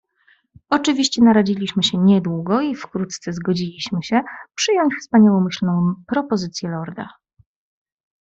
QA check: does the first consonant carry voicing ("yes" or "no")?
no